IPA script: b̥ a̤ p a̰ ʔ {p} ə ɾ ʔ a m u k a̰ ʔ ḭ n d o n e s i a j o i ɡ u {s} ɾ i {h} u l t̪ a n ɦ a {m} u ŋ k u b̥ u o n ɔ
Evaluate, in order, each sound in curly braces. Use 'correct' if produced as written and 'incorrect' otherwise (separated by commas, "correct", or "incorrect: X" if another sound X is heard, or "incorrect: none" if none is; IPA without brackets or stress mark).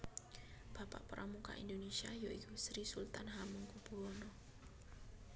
correct, correct, incorrect: s, correct